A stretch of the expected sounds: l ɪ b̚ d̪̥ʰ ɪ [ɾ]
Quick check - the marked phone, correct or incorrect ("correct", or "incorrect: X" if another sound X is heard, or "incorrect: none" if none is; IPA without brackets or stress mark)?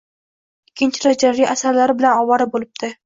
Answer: incorrect: none